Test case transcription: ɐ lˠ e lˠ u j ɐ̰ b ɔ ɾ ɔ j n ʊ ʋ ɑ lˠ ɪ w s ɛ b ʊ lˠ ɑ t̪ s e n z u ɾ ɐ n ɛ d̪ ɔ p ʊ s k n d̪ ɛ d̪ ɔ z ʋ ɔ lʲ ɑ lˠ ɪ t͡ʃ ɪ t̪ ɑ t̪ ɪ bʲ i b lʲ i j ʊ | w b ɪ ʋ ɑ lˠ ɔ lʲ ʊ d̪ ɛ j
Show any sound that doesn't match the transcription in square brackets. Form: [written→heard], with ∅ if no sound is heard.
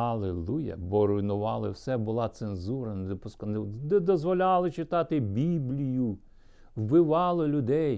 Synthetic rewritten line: ɐ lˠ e lˠ u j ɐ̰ b ɔ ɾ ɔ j n ʊ ʋ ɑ lˠ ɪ w s ɛ b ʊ lˠ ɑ t̪ s e n z u ɾ ɐ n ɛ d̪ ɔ p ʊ s k n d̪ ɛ d̪ ɔ z ʋ ɔ lʲ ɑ lˠ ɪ t͡ʃ ɪ t̪ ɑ t̪ ɪ bʲ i b lʲ i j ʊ | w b ɪ ʋ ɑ lˠ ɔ lʲ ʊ d̪ ɛ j